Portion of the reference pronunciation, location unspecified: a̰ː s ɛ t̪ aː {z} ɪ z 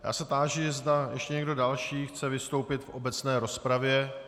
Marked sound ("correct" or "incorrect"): incorrect